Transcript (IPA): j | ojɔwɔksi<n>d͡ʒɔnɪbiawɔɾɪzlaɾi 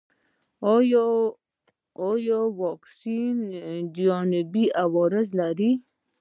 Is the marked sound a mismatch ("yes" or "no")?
no